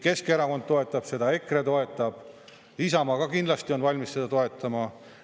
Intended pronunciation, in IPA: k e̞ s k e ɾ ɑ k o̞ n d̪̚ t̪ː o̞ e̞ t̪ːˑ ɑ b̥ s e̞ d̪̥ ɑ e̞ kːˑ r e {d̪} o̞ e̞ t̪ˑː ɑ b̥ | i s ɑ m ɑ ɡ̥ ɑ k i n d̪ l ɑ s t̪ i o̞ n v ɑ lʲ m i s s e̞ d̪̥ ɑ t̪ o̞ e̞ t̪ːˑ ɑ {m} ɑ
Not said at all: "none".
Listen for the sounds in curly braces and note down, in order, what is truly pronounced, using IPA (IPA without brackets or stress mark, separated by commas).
t̪, m